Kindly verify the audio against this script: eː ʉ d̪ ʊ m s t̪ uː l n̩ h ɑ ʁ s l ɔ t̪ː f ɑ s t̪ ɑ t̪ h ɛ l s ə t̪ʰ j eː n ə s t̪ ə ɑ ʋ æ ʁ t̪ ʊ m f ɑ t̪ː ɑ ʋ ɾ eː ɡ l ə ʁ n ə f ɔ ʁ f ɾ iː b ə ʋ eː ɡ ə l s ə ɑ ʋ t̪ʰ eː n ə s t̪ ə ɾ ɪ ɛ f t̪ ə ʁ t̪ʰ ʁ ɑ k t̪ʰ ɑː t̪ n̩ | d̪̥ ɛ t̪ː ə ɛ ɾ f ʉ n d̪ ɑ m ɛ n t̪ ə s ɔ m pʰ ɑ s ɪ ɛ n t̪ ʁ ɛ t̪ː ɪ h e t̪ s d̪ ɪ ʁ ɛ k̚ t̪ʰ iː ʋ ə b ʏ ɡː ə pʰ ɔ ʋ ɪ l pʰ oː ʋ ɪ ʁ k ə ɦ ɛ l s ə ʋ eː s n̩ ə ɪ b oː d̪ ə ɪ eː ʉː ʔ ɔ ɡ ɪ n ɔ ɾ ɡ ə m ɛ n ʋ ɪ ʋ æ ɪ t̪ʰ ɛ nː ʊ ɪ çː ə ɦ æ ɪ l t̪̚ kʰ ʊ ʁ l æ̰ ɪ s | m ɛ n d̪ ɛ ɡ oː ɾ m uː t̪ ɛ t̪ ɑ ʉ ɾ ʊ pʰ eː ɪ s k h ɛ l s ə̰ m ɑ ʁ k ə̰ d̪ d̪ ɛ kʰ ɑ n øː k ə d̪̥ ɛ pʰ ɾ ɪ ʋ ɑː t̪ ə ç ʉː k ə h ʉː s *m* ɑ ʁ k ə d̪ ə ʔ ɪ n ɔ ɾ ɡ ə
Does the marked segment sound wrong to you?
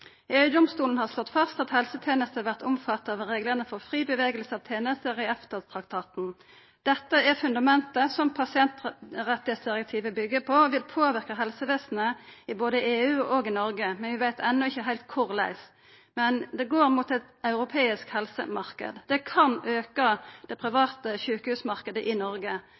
no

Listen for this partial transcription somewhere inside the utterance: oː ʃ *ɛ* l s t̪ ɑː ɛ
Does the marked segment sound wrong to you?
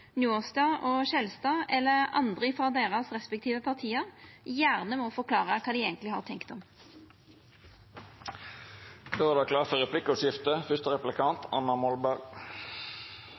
no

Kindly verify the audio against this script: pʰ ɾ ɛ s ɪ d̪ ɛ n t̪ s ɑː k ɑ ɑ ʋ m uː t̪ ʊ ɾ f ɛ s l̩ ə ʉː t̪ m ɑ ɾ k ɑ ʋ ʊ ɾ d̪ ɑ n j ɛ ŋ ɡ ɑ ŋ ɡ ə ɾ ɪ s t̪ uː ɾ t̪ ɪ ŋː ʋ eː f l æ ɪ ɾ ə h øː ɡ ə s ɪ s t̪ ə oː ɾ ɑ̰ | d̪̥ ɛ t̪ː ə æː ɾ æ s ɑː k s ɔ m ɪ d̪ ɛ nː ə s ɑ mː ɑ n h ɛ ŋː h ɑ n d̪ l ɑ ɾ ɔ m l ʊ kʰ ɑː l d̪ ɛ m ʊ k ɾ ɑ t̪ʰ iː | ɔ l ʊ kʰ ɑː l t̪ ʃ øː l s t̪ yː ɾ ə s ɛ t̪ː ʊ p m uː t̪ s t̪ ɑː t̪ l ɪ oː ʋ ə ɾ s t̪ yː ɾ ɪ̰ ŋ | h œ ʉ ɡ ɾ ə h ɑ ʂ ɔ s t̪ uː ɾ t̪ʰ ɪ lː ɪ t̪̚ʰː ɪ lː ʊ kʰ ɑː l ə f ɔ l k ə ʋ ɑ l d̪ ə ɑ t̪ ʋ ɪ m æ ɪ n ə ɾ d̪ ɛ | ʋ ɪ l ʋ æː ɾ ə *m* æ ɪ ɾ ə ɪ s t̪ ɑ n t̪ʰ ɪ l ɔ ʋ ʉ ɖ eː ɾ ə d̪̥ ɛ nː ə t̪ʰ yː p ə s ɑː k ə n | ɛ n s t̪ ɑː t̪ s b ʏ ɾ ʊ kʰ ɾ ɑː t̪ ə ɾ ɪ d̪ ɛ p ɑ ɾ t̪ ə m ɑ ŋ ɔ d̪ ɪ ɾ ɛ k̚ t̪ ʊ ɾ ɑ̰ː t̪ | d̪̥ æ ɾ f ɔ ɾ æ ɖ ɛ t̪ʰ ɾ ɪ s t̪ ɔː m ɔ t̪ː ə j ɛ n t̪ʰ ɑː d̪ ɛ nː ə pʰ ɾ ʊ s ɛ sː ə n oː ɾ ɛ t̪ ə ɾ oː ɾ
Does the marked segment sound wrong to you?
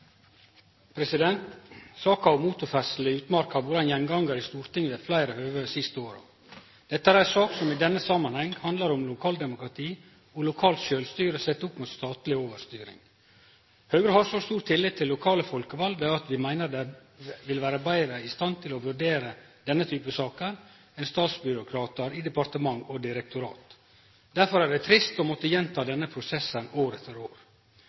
yes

